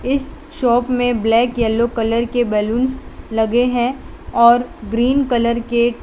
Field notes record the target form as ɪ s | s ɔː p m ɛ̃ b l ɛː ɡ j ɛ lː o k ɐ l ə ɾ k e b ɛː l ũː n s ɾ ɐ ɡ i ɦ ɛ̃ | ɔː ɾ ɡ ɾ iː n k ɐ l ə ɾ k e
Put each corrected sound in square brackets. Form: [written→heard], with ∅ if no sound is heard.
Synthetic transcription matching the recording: ɪ s | [s→ʃ] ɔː p m [ɛ̃→ẽ] b l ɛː [ɡ→k] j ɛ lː o k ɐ l ə ɾ k e b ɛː l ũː n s [ɾ→l] ɐ ɡ [i→e] ɦ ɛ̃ | ɔː ɾ ɡ ɾ iː n k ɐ l ə ɾ k e